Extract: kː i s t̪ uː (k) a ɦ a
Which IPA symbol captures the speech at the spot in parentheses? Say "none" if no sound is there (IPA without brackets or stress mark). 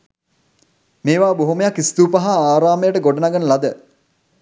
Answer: p